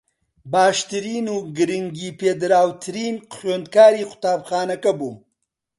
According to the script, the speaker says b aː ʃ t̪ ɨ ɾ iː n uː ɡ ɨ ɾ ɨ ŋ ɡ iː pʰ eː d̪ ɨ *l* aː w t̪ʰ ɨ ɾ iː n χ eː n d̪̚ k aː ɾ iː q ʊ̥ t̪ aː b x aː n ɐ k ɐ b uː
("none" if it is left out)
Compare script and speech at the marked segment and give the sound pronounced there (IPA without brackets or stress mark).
ɾ